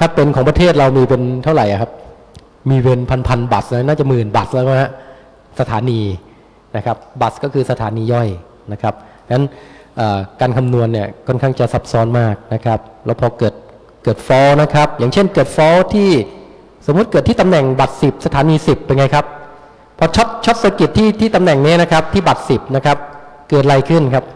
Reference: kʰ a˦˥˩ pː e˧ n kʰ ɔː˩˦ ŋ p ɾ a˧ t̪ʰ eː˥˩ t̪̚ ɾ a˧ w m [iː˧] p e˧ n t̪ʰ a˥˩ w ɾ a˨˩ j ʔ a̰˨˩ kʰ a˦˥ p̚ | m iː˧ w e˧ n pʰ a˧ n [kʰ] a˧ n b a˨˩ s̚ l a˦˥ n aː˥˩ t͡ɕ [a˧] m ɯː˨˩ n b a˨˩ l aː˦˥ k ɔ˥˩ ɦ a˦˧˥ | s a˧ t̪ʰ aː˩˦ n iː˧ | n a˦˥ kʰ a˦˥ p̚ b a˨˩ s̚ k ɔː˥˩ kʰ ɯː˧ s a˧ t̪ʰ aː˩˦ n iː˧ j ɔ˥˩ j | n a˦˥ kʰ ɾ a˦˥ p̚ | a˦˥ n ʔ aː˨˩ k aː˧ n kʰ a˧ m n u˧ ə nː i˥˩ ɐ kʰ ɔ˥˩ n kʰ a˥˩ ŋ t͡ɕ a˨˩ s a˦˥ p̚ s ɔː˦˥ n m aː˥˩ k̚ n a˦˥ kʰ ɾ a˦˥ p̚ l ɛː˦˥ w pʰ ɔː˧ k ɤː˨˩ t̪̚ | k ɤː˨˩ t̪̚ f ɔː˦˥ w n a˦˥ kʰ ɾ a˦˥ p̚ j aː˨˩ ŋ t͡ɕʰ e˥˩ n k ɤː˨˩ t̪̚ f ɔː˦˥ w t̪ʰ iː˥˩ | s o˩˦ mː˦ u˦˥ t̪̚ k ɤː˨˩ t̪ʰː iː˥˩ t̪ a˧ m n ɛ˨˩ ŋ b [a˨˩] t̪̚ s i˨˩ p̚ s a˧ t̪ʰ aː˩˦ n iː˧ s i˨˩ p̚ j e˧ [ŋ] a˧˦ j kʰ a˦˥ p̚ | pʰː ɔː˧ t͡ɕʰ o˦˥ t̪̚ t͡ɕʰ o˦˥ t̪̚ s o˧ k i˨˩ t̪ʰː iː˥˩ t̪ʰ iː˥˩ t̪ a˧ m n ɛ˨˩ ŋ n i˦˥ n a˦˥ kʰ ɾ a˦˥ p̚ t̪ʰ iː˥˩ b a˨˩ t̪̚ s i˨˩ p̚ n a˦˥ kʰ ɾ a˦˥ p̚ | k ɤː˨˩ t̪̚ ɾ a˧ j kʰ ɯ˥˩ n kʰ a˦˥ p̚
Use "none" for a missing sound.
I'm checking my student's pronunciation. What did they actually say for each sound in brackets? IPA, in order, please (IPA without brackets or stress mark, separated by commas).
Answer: iː˧, pʰ, a˨˩, a˨˩, ŋ